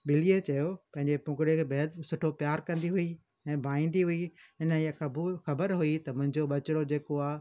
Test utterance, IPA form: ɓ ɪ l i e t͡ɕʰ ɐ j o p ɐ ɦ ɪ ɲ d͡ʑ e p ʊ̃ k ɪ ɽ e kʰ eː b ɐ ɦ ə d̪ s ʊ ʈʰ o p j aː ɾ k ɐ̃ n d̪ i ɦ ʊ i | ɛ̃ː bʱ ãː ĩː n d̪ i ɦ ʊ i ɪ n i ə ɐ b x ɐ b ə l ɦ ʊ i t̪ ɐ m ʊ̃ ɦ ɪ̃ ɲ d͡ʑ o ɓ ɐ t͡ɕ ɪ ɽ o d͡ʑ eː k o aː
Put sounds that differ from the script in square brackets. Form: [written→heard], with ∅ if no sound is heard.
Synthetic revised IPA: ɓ ɪ l i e [t͡ɕʰ→t͡ɕ] ɐ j o p [ɐ→ɐ̃] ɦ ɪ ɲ d͡ʑ e p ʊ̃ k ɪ ɽ e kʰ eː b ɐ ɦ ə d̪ s ʊ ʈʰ o p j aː ɾ k ɐ̃ n d̪ i ɦ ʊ i | ɛ̃ː bʱ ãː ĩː n d̪ i ɦ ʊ i ɪ n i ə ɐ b x ɐ b ə [l→ɾ] ɦ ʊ i t̪ ɐ m ʊ̃ ɦ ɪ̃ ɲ d͡ʑ o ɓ ɐ t͡ɕ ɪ ɽ o d͡ʑ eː k o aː